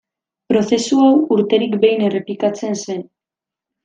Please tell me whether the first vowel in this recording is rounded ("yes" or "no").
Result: yes